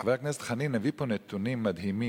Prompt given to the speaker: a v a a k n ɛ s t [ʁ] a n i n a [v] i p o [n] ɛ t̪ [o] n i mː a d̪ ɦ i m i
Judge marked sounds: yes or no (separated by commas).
no, yes, yes, no